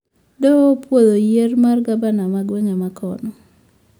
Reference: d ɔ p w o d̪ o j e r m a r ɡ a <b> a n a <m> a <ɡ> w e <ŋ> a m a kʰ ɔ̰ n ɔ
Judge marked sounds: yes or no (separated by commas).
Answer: yes, yes, yes, yes